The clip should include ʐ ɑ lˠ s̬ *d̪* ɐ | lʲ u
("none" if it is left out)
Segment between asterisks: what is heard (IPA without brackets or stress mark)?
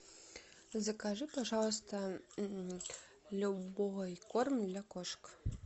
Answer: t̪